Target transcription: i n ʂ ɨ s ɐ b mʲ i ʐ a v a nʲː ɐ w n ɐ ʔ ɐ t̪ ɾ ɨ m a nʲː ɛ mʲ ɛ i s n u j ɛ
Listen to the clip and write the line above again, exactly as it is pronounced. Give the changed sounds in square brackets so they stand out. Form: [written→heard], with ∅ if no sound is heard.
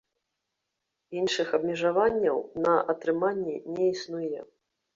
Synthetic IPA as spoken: i n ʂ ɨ [s→x] ɐ b mʲ [i→ɛ] ʐ a v a nʲː ɐ w n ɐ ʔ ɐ t̪ ɾ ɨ m a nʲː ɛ [mʲ→nʲ] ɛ i s n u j ɛ